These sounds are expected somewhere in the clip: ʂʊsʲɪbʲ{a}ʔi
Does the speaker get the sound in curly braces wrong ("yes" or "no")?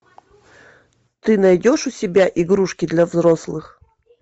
no